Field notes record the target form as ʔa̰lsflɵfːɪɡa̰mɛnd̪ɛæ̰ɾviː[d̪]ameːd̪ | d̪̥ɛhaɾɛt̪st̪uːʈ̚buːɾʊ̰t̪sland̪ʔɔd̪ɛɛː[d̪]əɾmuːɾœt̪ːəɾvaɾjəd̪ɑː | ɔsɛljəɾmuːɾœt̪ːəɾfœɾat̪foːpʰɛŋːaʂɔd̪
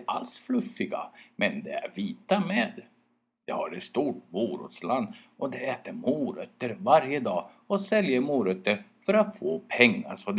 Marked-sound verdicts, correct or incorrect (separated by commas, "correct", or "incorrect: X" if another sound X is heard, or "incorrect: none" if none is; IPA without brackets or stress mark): incorrect: t̪, incorrect: t̪